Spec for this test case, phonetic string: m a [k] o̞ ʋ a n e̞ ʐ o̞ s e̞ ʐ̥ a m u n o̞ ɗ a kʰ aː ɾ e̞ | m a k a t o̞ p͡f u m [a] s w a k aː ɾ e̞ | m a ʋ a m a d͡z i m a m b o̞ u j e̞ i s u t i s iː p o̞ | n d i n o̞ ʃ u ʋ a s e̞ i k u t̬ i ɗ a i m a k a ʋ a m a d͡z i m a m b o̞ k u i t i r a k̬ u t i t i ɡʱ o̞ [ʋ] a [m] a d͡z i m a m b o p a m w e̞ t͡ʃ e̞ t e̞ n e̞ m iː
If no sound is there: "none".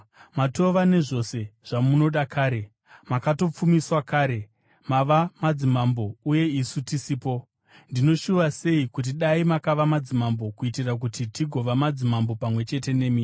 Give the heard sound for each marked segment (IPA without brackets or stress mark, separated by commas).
t, i, ʋ, m